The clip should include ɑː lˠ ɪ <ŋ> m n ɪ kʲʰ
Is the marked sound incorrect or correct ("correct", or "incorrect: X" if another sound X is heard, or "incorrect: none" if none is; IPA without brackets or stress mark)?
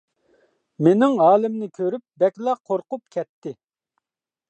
incorrect: none